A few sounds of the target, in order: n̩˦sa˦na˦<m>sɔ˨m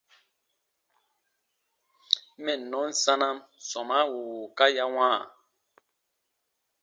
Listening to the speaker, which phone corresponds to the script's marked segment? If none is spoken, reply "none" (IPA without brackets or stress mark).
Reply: m